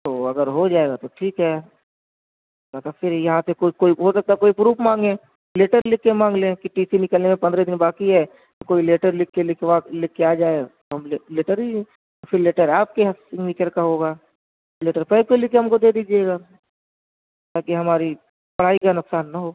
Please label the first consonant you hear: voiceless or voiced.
voiceless